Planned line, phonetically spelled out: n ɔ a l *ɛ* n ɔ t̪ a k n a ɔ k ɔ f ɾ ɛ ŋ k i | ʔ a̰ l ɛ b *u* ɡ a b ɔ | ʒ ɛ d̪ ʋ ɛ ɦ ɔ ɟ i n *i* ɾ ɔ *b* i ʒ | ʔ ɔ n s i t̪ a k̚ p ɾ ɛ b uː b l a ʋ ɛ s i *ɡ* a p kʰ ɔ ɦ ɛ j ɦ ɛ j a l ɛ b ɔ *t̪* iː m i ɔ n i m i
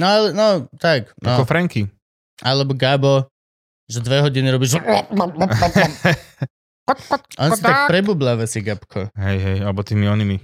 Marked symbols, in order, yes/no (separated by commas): yes, no, yes, yes, yes, yes